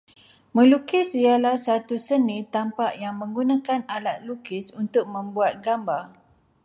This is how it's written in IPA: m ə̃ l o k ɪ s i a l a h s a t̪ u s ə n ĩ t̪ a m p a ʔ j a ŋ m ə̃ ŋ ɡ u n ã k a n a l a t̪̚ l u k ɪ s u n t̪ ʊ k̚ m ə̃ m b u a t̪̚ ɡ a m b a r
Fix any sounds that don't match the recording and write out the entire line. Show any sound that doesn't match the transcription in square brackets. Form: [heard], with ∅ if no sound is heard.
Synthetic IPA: m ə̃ l [u] k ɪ s i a l a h s a t̪ u s ə n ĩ t̪ a m p a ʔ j a ŋ m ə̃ ŋ ɡ u n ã k a n a l a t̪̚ l u k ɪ s u n t̪ ʊ k̚ m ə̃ m b u a t̪̚ ɡ a m b a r